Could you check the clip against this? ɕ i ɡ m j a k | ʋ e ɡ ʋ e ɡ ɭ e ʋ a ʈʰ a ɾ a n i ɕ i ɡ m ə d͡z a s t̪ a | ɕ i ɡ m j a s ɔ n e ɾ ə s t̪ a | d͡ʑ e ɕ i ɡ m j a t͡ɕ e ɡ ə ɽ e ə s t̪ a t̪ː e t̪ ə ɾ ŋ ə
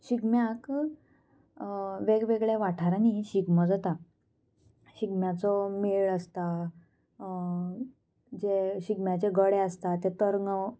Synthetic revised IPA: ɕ i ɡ m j a k | ʋ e ɡ ʋ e ɡ ɭ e ʋ a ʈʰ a ɾ a n i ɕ i ɡ m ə d͡z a t̪ a | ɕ i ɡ m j a t͡s ɔ m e ɭ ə s t̪ a | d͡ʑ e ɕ i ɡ m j a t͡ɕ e ɡ ə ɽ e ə s t̪ a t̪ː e t̪ ə ɾ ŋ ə